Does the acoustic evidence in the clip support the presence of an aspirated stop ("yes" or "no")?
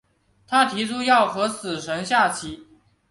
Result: yes